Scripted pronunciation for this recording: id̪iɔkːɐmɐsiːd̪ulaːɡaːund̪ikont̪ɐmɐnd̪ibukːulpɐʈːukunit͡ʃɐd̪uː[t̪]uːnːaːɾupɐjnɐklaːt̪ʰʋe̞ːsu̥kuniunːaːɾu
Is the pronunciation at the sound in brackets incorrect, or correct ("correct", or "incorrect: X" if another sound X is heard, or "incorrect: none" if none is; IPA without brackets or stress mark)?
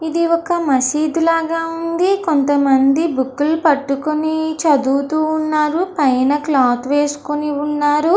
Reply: correct